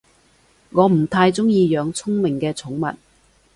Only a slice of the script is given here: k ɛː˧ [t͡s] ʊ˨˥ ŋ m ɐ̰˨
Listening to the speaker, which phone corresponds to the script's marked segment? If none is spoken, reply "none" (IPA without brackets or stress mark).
t͡sʰ